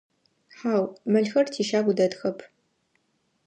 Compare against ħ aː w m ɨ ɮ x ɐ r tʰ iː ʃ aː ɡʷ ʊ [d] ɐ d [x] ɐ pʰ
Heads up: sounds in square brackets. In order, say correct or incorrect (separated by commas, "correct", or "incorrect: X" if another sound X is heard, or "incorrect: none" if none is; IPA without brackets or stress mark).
correct, correct